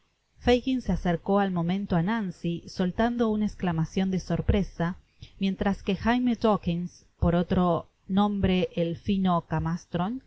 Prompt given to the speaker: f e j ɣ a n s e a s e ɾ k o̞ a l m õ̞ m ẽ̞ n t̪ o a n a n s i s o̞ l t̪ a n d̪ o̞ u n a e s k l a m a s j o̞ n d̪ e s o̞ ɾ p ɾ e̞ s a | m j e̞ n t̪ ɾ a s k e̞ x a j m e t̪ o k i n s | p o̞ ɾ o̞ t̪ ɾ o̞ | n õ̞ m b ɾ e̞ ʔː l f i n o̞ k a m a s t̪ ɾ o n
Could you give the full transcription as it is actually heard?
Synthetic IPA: f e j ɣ i n s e a s e ɾ k o̞ a l m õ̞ m ẽ̞ n t̪ o a n a n s i s o̞ l t̪ a n d̪ o̞ u n a e s k l a m a s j o̞ n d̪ e s o̞ ɾ p ɾ e̞ s a | m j e̞ n t̪ ɾ a s k e̞ x a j m e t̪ o k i n s | p o̞ ɾ o̞ t̪ ɾ o̞ | n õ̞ m b ɾ e̞ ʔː l f i n o̞ k a m a s t̪ ɾ o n

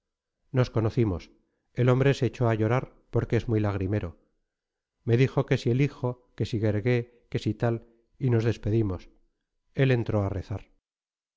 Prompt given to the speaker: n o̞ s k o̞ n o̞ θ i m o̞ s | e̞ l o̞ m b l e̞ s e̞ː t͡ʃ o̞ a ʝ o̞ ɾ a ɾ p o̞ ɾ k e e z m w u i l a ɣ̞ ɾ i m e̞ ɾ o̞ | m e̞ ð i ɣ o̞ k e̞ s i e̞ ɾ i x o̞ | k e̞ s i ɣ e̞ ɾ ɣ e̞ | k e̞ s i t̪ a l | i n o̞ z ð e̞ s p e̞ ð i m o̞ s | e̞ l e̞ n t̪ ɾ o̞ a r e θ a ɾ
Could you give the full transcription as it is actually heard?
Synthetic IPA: n o̞ s k o̞ n o̞ θ i m o̞ s | e̞ l o̞ m b ɾ e̞ s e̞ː t͡ʃ o̞ a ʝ o̞ ɾ a ɾ p o̞ ɾ k e e z m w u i l a ɣ̞ ɾ i m e̞ ɾ o̞ | m e̞ ð i x o̞ k e̞ s i e̞ l i x o̞ | k e̞ s i ɣ e̞ ɾ ɣ e̞ | k e̞ s i t̪ a l | i n o̞ z ð e̞ s p e̞ ð i m o̞ s | e̞ l e̞ n t̪ ɾ o̞ a r e θ a ɾ

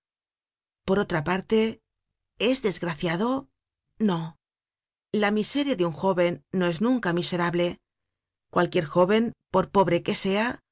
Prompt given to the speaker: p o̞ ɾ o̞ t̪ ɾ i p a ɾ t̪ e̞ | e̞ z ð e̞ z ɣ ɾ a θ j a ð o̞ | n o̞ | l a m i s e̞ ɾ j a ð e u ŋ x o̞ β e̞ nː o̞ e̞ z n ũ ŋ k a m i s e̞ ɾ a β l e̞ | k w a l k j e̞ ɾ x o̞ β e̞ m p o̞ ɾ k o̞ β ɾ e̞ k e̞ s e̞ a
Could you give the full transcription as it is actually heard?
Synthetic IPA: p o̞ ɾ o̞ t̪ ɾ a p a ɾ t̪ e̞ | e̞ z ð e̞ z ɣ ɾ a θ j a ð o̞ | n o̞ | l a m i s e̞ ɾ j a ð e u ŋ x o̞ β e̞ nː o̞ e̞ z n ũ ŋ k a m i s e̞ ɾ a β l e̞ | k w a l k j e̞ ɾ x o̞ β e̞ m p o̞ ɾ p o̞ β ɾ e̞ k e̞ s e̞ a

